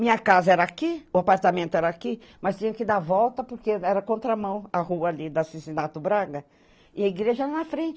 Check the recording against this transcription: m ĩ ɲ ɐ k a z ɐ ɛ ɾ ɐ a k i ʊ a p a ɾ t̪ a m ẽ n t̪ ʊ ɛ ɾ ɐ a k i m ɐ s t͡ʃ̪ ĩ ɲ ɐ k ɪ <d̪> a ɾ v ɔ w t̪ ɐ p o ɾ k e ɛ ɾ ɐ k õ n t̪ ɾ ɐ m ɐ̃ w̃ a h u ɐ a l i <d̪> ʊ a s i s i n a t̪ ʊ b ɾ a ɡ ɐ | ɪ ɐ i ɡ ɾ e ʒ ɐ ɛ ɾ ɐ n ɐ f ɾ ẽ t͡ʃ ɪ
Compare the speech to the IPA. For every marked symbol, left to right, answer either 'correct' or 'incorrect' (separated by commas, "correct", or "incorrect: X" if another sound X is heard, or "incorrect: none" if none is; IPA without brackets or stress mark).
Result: correct, correct